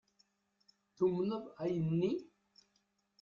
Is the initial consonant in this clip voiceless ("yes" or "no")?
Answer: yes